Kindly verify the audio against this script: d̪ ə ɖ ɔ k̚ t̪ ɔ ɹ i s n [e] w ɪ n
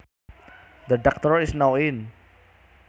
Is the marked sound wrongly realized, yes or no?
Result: yes